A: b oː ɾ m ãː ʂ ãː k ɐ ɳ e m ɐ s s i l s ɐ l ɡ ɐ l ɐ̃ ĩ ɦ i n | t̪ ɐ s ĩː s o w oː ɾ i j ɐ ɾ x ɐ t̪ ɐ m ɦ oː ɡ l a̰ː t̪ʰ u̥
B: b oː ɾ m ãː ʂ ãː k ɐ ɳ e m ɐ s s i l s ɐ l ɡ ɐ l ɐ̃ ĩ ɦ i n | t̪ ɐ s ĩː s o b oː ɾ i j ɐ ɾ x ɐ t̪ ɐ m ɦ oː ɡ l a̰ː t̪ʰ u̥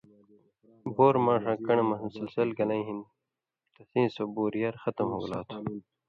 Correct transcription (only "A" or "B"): B